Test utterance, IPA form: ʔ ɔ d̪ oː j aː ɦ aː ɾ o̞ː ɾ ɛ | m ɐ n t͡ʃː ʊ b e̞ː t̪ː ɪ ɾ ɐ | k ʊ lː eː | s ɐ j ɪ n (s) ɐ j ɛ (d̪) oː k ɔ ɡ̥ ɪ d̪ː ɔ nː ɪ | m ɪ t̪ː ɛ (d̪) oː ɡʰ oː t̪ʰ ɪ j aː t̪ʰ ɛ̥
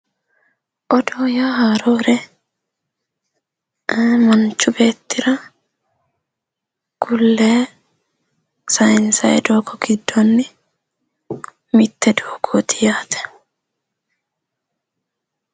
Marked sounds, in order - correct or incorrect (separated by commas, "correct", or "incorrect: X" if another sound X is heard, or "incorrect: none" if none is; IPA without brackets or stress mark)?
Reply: correct, correct, correct